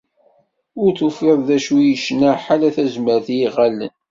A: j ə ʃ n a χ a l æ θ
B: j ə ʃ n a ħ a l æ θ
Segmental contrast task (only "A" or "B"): B